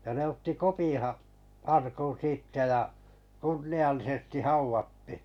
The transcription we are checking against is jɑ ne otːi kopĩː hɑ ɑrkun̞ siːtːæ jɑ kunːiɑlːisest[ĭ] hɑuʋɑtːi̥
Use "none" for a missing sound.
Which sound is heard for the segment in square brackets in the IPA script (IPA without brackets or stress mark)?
ĭ